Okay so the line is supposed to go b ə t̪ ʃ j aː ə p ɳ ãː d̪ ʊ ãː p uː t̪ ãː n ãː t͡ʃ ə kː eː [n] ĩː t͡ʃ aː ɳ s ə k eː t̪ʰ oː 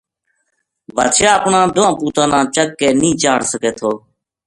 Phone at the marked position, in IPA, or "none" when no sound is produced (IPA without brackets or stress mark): n